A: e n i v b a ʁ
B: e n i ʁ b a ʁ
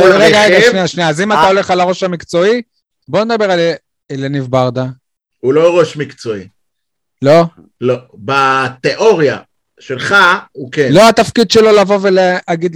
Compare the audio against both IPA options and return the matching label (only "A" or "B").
A